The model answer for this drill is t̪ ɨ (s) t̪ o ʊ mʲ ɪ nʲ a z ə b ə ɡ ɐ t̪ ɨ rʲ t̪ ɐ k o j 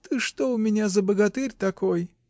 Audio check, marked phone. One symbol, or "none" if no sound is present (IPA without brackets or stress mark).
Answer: ʂ